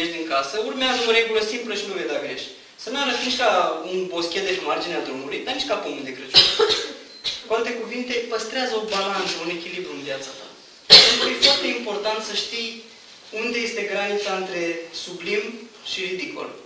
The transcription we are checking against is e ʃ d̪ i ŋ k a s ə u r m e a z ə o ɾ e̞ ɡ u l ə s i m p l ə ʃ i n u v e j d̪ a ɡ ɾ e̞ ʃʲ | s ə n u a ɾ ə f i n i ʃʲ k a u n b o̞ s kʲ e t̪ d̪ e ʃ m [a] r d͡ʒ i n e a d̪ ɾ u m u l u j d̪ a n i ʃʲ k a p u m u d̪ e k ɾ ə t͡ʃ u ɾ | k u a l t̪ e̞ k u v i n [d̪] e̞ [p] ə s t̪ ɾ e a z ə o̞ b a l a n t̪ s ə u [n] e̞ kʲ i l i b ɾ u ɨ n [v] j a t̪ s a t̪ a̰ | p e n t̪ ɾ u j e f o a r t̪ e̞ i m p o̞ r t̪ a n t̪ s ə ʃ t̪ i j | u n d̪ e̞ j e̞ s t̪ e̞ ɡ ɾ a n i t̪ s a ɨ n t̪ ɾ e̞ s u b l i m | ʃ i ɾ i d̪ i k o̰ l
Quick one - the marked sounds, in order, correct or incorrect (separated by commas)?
correct, incorrect, correct, correct, correct